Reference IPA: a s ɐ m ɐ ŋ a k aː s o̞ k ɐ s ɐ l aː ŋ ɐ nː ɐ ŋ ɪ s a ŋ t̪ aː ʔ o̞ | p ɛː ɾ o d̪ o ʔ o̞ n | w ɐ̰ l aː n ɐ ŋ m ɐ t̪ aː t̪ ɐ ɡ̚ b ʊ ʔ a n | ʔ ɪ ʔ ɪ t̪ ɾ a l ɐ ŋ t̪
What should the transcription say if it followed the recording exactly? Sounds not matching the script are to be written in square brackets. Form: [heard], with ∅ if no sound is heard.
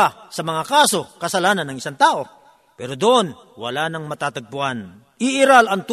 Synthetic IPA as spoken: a s ɐ m ɐ ŋ a k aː s o̞ k ɐ s ɐ l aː [n] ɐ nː ɐ ŋ ɪ s a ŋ t̪ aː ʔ o̞ | p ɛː ɾ o d̪ o ʔ o̞ n | w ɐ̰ l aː n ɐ ŋ m ɐ t̪ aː t̪ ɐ ɡ̚ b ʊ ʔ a n | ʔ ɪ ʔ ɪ [∅] ɾ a l ɐ ŋ t̪